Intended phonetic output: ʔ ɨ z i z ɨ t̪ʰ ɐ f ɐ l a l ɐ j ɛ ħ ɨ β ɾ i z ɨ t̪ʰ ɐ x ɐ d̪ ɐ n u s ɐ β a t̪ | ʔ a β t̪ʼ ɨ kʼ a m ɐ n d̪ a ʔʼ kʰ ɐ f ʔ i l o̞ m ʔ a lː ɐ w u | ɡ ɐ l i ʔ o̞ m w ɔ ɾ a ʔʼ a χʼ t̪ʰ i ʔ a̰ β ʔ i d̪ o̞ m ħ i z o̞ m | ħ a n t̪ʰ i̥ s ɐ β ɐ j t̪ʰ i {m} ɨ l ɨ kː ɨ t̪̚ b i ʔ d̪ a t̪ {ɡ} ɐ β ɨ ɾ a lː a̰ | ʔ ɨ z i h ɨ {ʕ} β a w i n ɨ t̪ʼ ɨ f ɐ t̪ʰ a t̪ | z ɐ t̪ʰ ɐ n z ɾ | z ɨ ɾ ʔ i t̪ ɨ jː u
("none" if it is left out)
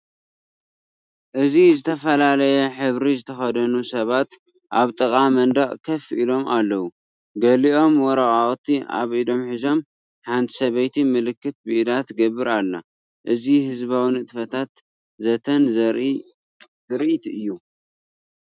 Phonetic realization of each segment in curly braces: m, ɡ, z

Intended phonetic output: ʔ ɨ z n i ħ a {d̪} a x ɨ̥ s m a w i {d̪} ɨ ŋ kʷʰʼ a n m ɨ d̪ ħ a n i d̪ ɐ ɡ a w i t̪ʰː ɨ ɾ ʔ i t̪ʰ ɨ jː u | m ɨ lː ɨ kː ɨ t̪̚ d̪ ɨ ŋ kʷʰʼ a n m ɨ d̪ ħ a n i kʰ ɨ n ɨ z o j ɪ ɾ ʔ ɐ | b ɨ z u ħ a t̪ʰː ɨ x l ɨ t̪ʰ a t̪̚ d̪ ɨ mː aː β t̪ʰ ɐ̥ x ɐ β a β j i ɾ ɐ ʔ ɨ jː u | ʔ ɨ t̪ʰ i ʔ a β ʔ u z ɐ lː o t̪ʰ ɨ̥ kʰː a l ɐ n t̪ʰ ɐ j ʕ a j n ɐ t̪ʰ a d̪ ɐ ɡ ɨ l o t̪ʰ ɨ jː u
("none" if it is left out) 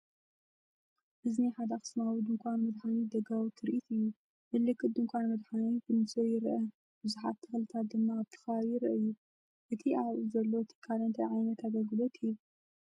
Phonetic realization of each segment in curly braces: d̪, d̪

